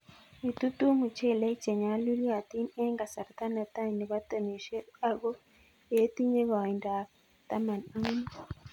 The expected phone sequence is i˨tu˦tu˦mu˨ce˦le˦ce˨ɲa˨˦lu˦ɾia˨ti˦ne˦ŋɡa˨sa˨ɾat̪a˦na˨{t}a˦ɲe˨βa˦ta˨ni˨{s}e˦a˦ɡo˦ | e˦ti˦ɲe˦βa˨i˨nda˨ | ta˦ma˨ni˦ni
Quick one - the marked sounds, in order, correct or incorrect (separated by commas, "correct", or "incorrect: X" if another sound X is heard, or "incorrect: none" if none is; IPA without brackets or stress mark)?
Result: correct, incorrect: ʃ